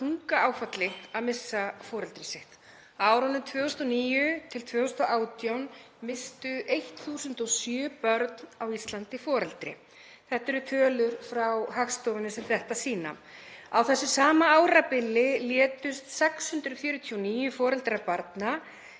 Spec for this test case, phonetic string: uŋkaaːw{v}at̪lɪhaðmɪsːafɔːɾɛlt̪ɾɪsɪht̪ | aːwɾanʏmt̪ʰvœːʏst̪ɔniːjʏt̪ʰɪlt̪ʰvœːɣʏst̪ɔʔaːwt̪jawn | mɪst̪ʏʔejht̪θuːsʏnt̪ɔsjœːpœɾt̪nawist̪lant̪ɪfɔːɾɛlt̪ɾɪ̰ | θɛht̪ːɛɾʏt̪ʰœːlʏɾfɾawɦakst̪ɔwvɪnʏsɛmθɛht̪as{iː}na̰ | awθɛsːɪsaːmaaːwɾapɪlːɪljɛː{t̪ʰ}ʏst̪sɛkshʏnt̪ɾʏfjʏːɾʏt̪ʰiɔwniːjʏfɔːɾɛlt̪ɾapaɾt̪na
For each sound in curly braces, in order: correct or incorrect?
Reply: incorrect: f, correct, incorrect: t̪

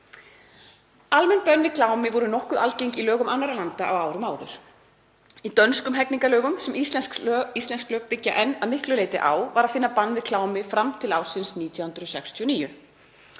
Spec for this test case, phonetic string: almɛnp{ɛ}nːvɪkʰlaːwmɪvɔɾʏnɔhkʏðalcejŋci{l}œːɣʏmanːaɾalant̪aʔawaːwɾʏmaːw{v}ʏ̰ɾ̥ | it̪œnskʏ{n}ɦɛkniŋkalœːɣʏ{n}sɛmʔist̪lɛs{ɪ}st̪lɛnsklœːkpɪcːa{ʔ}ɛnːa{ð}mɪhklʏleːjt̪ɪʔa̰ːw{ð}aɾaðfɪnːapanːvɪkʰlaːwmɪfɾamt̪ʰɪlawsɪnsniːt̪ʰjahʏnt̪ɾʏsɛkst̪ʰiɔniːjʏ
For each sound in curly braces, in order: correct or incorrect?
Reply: incorrect: œ, correct, incorrect: ð, incorrect: m, incorrect: m, incorrect: i, correct, correct, incorrect: v

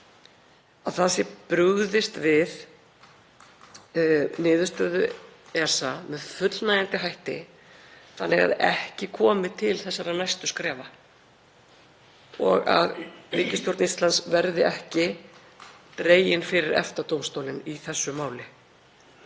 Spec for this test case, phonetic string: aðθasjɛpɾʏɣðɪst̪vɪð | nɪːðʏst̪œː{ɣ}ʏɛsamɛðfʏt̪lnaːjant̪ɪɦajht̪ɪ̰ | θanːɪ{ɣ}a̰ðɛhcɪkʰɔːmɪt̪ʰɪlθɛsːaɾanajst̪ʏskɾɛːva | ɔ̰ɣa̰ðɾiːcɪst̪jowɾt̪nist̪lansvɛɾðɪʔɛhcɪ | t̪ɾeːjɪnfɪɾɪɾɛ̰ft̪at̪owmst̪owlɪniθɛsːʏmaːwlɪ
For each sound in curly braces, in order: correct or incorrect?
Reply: incorrect: ð, correct

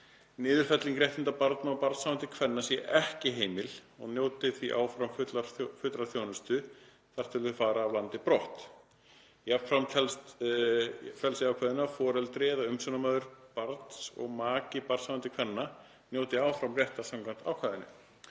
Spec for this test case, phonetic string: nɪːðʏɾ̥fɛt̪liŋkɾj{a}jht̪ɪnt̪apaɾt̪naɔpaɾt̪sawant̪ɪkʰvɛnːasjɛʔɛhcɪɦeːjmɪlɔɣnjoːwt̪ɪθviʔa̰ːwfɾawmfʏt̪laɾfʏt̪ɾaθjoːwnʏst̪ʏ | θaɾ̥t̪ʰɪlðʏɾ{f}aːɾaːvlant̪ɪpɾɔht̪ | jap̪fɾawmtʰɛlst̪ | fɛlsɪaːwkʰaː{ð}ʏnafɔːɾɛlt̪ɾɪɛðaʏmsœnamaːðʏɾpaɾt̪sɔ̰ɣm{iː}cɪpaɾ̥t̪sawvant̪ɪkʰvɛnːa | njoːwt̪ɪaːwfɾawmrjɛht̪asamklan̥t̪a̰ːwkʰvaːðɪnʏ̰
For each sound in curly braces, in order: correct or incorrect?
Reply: incorrect: ɛ, correct, correct, incorrect: aː

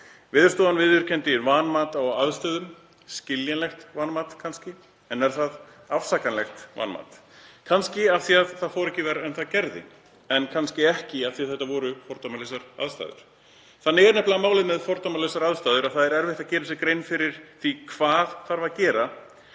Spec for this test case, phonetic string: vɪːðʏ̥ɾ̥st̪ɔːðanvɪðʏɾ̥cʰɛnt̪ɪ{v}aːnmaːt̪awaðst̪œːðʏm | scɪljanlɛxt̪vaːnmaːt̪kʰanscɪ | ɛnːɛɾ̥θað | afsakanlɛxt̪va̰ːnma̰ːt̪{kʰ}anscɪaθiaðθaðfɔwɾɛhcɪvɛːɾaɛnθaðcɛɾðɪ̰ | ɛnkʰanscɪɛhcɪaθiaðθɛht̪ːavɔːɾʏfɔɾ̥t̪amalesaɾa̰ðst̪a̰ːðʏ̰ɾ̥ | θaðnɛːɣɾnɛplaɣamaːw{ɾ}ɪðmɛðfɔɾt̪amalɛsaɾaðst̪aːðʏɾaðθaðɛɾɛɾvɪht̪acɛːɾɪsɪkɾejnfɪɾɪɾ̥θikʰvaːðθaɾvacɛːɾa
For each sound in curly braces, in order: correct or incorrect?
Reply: correct, correct, incorrect: l

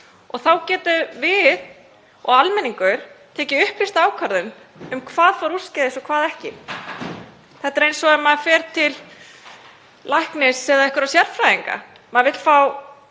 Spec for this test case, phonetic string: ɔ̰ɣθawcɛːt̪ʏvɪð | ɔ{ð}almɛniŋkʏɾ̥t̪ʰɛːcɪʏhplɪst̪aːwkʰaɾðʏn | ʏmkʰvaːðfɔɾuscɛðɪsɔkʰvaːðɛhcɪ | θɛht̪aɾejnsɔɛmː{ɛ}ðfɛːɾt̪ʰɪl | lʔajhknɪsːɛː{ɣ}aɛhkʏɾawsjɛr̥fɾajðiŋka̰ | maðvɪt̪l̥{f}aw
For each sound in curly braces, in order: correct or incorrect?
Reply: incorrect: ɣ, incorrect: a, incorrect: ð, correct

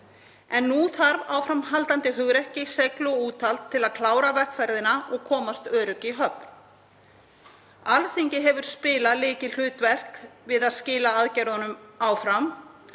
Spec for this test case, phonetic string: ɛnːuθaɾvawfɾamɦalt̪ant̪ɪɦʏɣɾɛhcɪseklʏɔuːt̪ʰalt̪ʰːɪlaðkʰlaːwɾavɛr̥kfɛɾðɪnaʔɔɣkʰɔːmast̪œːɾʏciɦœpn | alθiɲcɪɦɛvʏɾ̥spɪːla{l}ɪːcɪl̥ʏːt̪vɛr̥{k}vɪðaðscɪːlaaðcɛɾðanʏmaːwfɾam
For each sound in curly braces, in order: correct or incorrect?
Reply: correct, correct

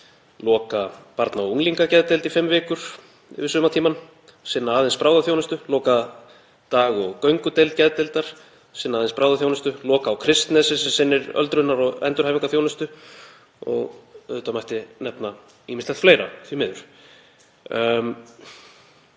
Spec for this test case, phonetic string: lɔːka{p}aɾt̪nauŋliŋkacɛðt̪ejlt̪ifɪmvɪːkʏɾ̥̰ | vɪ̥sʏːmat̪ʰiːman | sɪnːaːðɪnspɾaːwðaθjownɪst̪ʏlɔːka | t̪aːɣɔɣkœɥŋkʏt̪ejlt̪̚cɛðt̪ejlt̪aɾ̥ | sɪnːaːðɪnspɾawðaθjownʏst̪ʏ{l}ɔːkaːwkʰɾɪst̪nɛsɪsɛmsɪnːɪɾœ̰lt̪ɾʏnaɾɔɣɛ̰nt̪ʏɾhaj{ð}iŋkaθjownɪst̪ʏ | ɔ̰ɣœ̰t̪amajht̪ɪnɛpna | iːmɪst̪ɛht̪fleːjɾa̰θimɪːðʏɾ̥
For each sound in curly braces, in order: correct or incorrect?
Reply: correct, correct, incorrect: v

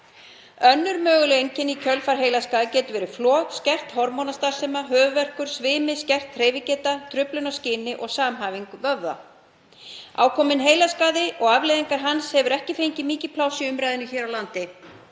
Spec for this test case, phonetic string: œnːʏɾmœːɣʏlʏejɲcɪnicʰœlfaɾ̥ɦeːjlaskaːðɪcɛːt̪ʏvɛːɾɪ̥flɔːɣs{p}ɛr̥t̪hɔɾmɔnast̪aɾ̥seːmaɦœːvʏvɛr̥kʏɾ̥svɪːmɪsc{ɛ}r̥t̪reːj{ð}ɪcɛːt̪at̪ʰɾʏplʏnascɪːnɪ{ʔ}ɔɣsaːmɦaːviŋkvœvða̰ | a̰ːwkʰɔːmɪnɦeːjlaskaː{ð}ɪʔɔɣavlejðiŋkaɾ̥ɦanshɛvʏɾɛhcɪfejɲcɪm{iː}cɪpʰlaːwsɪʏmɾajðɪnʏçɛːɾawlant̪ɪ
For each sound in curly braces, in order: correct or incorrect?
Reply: incorrect: c, correct, incorrect: v, correct, correct, correct

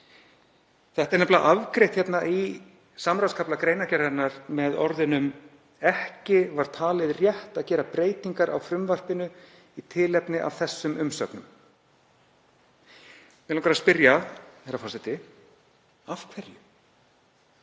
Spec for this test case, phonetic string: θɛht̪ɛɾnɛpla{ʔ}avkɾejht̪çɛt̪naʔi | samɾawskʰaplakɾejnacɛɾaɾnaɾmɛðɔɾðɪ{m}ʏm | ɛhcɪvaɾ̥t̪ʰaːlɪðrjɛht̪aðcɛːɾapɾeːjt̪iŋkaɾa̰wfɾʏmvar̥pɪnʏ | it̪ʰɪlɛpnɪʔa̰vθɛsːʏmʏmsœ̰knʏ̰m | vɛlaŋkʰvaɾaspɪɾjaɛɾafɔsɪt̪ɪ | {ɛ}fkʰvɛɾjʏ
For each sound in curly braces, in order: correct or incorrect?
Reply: correct, incorrect: n, incorrect: a

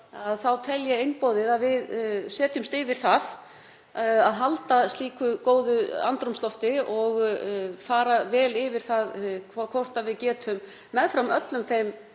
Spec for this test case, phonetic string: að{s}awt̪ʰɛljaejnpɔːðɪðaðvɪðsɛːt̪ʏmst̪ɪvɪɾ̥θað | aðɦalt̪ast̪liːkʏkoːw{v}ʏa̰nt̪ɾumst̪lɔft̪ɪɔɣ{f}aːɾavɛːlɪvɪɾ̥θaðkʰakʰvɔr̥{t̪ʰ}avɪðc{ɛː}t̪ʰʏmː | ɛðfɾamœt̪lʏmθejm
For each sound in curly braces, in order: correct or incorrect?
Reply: incorrect: θ, incorrect: ð, correct, incorrect: t̪, correct

